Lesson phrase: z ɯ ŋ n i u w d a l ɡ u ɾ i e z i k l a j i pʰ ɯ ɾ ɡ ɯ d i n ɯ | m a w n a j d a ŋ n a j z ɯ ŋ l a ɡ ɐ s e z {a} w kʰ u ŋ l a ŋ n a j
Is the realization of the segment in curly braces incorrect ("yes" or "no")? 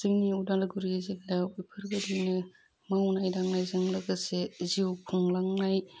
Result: yes